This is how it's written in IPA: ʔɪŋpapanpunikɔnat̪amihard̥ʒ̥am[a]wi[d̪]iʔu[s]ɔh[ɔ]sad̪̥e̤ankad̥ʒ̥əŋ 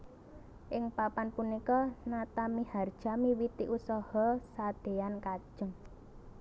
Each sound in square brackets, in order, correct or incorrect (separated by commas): incorrect, incorrect, correct, correct